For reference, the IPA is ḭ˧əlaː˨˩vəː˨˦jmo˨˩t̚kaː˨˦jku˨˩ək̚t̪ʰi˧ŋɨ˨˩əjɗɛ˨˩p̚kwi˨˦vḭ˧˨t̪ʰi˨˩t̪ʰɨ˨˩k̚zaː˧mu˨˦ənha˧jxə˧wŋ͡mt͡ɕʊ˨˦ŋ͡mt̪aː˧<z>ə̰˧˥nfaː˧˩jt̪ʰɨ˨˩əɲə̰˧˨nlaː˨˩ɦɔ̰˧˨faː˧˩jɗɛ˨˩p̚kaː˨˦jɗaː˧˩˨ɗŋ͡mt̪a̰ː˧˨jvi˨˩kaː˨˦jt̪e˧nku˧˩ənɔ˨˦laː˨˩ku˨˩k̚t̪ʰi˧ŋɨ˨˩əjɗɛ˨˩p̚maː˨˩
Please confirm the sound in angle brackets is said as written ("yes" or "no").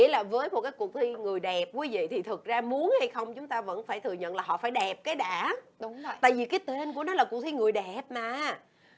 no